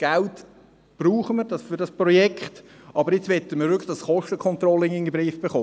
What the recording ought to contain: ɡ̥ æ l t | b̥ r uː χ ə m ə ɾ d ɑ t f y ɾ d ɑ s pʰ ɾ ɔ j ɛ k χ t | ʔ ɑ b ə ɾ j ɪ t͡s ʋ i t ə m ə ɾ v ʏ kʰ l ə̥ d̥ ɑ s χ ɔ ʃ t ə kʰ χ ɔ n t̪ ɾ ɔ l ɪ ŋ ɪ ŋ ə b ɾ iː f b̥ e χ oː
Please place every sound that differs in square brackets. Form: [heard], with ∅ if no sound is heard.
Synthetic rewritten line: ɡ̥ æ l t | b̥ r uː χ ə m ə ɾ d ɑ [s] f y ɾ d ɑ s [p] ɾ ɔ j ɛ k χ t | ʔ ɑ b ə ɾ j ɪ t͡s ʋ [ɛ] t ə m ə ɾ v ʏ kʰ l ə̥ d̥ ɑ s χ ɔ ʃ t ə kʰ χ ɔ n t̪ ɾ ɔ l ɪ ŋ ɪ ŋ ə b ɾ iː f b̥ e χ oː